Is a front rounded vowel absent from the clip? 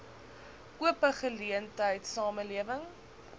yes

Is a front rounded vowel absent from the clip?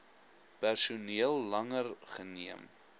yes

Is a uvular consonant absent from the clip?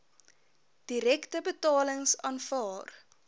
yes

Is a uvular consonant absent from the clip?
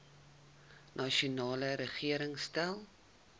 no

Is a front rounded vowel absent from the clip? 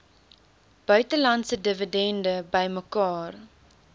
no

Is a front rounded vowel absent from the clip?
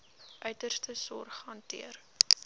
no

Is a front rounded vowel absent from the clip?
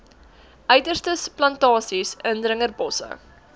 no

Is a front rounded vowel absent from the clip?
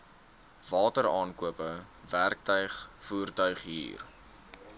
no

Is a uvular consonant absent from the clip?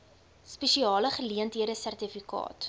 no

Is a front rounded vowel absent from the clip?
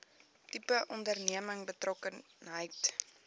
yes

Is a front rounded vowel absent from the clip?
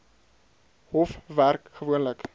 yes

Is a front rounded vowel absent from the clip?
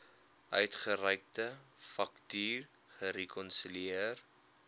no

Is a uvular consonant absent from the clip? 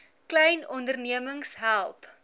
yes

